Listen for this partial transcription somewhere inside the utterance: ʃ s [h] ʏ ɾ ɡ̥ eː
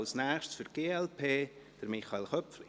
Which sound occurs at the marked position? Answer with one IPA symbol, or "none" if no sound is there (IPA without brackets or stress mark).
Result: f